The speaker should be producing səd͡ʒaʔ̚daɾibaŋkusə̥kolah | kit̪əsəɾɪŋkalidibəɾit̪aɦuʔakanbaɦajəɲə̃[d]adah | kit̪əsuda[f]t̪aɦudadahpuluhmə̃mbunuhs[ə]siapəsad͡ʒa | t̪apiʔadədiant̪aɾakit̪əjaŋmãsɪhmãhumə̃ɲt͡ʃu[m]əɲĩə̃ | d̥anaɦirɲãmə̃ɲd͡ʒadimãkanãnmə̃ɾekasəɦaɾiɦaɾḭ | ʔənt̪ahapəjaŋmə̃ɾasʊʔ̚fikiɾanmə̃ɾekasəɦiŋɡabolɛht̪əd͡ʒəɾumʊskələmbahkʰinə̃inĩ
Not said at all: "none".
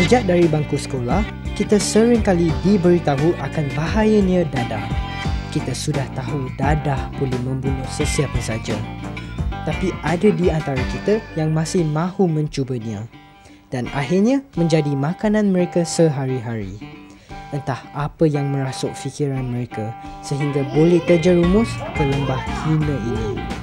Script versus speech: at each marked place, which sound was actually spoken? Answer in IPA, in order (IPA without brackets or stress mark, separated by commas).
d, h, ə, b